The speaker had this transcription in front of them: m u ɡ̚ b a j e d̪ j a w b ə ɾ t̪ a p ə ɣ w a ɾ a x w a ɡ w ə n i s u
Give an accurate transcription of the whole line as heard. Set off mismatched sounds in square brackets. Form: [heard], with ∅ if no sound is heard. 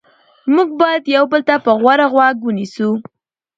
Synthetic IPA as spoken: m u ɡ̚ b [ɑ] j [a] d̪ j a w b ə [l] t̪ a p ə ɣ w a ɾ a [ɣ] w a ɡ w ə n i s u